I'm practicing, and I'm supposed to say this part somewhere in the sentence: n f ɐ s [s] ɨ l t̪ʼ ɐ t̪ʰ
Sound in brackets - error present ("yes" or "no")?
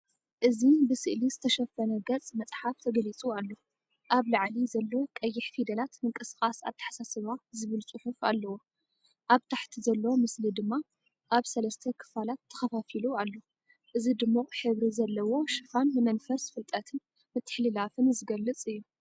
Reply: yes